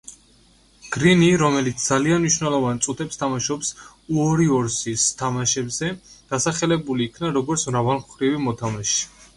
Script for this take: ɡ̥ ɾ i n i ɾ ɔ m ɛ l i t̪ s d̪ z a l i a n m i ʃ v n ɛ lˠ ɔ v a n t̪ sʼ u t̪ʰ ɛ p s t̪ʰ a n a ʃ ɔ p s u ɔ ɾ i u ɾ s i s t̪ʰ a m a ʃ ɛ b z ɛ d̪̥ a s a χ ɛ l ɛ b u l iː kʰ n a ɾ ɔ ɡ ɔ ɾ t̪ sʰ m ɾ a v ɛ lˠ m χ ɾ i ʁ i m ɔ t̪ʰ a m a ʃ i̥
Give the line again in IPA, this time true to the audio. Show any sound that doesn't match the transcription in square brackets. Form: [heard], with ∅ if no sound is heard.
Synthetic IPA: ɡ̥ ɾ i n i ɾ ɔ m ɛ l i t̪ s d̪ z a l i a n m i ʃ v n ɛ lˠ ɔ v a n t̪ sʼ u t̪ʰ ɛ p s t̪ʰ a [m] a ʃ ɔ p s u ɔ ɾ i [ɔ] ɾ s i s t̪ʰ a m a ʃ ɛ b z ɛ d̪̥ a s a χ ɛ l ɛ b u l iː kʰ n a ɾ ɔ ɡ ɔ ɾ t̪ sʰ m ɾ a v [a] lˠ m χ ɾ i [v] i m ɔ t̪ʰ a m a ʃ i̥